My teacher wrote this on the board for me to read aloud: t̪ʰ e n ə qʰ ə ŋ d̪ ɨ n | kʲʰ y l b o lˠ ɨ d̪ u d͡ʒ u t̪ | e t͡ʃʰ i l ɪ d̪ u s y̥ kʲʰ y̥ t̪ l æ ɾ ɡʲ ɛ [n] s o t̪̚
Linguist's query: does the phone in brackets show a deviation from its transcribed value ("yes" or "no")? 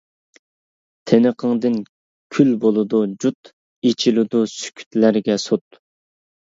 yes